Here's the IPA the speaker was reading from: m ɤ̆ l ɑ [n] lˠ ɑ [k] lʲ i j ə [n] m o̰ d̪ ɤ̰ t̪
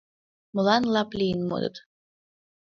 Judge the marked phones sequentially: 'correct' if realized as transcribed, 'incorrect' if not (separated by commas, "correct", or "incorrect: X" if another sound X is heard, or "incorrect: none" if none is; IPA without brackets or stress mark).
correct, incorrect: p, correct